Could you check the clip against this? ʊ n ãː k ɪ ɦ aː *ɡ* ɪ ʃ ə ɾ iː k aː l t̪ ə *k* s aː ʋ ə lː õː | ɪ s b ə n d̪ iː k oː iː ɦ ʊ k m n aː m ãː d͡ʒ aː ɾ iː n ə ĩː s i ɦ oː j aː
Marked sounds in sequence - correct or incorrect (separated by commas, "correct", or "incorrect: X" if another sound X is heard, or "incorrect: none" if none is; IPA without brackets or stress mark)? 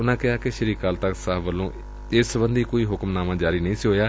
incorrect: k, correct